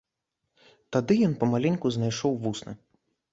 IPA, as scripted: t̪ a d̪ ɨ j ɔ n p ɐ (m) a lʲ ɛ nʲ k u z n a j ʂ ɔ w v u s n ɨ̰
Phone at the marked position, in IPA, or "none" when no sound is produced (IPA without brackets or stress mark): m